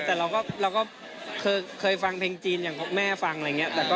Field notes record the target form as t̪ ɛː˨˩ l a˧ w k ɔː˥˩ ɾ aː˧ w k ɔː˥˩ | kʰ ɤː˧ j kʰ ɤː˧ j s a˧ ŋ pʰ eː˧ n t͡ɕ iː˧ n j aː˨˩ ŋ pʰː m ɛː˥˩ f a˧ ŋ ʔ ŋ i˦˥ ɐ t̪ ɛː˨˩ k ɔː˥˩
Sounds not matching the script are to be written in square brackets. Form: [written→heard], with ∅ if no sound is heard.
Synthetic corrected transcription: t̪ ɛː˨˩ [l→ɾ] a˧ w k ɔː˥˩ ɾ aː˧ w k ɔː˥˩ | kʰ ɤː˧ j kʰ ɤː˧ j [s→f] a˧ ŋ pʰ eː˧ [n→ŋ] t͡ɕ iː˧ n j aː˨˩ ŋ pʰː m ɛː˥˩ f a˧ ŋ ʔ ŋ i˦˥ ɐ t̪ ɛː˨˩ k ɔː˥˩